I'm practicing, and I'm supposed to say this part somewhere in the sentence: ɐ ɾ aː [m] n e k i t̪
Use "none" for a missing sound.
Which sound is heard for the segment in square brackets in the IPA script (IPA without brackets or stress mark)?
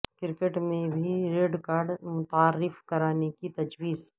none